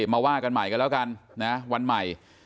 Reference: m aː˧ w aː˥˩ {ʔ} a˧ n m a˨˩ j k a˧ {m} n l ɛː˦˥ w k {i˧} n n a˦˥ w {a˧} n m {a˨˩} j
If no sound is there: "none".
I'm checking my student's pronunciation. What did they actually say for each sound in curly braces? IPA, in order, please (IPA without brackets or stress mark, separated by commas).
k, none, a˧, a˧, a˨˩